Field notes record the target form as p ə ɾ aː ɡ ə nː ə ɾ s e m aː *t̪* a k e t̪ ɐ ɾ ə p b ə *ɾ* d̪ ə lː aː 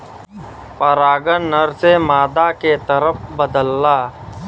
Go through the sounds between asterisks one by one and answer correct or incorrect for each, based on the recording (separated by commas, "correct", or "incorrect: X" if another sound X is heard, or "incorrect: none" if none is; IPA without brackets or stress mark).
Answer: incorrect: d̪, incorrect: none